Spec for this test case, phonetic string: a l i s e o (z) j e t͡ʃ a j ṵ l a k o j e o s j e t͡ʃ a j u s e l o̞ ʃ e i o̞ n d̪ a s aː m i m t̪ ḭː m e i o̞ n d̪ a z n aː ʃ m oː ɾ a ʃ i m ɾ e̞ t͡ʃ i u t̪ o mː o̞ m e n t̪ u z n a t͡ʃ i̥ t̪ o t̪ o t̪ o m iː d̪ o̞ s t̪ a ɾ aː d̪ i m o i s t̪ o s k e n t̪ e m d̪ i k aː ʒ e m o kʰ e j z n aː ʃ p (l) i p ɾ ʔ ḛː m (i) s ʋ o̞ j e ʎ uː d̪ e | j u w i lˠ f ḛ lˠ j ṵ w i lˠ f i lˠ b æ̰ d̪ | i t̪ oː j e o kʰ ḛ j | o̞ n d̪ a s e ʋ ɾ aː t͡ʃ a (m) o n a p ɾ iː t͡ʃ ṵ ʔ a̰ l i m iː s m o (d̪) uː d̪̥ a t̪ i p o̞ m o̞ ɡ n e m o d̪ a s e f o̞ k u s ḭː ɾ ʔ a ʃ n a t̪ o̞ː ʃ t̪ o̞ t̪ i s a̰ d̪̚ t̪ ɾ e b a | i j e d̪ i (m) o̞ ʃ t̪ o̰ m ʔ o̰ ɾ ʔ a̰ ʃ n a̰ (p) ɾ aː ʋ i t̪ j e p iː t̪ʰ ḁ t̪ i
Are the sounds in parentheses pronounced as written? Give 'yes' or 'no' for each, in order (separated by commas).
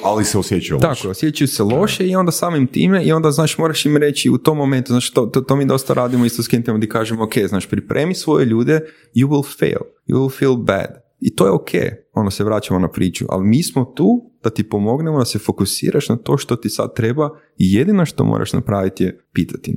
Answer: no, no, yes, yes, no, no, yes